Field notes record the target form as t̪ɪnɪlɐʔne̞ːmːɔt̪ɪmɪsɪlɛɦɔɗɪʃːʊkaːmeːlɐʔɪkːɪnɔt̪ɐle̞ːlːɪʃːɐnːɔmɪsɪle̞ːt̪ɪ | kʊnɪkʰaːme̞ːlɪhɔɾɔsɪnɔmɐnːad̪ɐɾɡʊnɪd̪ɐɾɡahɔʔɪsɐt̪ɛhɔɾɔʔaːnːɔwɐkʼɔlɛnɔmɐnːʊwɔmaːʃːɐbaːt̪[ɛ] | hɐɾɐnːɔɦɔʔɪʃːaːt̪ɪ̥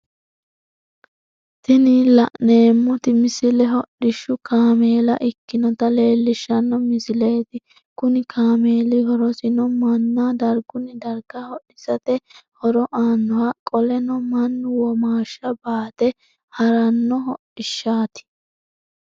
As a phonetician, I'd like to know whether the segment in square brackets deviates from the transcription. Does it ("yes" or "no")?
no